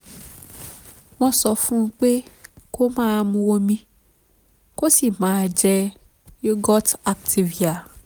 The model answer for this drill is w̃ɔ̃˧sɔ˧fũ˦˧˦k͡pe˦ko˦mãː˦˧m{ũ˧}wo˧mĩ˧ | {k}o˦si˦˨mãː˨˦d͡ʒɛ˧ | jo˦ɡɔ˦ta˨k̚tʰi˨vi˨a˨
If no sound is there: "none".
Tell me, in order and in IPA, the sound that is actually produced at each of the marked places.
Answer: ũ˧, k

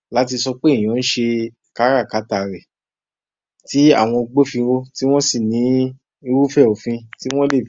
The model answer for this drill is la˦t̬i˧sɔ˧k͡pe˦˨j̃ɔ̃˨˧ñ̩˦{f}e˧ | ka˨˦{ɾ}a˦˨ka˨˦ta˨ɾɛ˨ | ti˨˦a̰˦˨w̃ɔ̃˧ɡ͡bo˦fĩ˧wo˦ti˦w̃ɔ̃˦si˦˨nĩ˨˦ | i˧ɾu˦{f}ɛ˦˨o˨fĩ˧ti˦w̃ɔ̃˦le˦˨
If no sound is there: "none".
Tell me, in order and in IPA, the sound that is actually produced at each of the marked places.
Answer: ʃ, ɾ, f

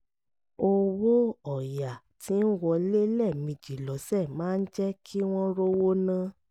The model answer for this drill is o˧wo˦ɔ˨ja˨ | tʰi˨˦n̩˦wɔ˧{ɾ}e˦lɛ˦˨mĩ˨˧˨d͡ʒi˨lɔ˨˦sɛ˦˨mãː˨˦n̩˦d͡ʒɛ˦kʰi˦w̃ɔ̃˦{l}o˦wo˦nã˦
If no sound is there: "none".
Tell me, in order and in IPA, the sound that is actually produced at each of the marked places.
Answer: l, ɾ

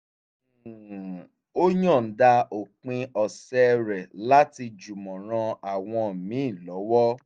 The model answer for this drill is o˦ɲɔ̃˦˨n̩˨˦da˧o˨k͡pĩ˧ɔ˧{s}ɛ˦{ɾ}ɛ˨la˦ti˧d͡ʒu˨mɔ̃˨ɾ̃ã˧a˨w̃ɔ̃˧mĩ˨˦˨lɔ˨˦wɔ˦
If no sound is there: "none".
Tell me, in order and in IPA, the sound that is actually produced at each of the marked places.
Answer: s, ɾ

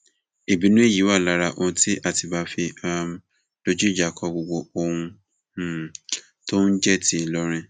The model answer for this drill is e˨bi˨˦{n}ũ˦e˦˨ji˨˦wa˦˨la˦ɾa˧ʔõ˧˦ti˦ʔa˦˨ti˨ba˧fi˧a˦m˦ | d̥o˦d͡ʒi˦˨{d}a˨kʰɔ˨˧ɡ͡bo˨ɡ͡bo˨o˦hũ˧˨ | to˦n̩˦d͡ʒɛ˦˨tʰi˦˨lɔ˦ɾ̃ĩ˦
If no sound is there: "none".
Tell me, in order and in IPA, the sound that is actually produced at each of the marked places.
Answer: n, d͡ʒ

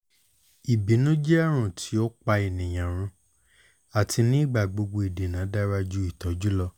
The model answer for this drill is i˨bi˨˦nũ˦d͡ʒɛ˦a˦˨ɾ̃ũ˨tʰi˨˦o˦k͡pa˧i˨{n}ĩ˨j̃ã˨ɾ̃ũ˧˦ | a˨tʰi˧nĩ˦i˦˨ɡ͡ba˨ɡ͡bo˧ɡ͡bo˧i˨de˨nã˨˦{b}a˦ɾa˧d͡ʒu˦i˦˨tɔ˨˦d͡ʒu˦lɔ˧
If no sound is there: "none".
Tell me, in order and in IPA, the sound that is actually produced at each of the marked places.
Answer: n, d

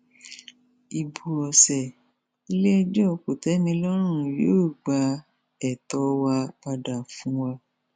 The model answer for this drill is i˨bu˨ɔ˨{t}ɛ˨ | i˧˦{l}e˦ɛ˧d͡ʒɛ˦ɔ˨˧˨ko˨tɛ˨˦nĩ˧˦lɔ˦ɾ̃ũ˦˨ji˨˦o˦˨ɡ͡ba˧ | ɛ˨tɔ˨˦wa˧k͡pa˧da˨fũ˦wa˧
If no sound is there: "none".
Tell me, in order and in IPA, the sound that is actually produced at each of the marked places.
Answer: s, l

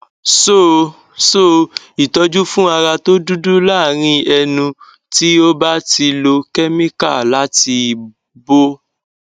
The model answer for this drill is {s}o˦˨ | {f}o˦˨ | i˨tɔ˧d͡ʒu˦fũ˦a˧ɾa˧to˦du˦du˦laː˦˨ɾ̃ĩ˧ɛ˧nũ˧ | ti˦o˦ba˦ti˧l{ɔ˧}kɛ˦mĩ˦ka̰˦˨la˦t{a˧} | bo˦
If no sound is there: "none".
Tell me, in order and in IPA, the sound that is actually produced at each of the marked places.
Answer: s, s, o˧, i˧

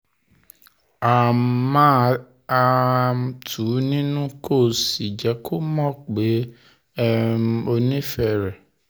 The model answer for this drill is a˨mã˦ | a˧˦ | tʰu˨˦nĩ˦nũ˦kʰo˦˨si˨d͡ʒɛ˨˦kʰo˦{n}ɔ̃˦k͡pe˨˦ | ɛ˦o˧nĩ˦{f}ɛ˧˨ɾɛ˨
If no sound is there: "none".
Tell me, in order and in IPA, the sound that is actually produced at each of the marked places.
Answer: m, f

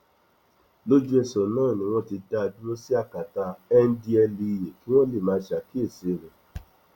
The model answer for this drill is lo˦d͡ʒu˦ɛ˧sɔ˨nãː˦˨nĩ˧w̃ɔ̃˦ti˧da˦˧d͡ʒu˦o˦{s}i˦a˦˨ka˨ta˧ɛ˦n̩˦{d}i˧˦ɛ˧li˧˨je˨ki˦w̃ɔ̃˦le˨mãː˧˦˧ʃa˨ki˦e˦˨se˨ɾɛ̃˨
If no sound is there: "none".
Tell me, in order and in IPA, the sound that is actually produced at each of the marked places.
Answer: s, d

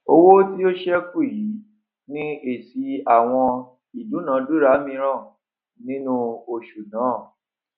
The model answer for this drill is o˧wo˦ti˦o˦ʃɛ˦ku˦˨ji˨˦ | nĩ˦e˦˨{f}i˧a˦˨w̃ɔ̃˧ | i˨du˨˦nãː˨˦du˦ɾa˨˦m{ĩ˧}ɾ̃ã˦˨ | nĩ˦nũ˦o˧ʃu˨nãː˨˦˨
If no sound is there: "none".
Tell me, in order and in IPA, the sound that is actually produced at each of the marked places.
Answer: s, ĩ˧

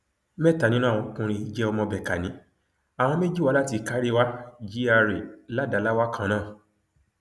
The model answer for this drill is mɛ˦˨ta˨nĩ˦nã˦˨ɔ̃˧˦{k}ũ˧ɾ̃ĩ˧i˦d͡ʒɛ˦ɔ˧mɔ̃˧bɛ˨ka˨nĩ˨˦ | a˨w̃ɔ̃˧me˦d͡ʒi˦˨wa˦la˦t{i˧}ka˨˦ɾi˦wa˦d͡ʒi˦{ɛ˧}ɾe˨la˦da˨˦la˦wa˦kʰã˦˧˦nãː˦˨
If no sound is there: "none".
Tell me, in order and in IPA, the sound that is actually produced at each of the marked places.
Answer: k, i˧, a˧

